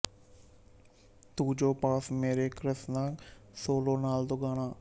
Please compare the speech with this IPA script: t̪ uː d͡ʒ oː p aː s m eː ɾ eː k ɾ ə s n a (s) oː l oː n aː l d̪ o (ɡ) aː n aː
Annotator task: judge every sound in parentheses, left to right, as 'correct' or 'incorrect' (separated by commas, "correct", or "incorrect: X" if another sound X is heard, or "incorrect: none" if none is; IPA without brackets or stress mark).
correct, correct